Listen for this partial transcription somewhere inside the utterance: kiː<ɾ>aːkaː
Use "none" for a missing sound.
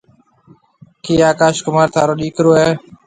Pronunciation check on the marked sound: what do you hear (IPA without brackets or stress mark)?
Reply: none